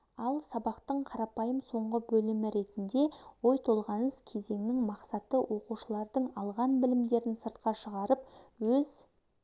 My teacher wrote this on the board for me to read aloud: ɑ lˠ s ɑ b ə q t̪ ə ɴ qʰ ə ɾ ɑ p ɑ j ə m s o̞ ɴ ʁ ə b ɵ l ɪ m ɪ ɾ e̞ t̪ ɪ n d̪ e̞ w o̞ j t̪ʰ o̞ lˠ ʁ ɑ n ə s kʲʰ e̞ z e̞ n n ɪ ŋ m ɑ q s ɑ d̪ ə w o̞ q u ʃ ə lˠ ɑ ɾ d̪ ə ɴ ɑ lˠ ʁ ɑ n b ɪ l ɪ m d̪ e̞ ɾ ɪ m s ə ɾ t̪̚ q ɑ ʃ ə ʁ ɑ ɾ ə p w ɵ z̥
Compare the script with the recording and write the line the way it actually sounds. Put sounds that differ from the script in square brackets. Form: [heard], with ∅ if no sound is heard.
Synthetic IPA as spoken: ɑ lˠ s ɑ b [ɑ] q t̪ ə ɴ qʰ [ɑ] ɾ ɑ p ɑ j ə m s o̞ ɴ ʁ ə b ɵ l ɪ m ɪ ɾ e̞ t̪ ɪ n d̪ e̞ w o̞ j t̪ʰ o̞ lˠ ʁ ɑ n ə s kʲʰ e̞ z e̞ [ŋ] n ɪ ŋ m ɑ q s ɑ [t̪] ə w o̞ q u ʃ ə lˠ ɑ ɾ d̪ ə ɴ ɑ lˠ ʁ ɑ n b ɪ l ɪ m d̪ e̞ ɾ ɪ [n] s ə ɾ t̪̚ q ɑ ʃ ə ʁ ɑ ɾ ə p w ɵ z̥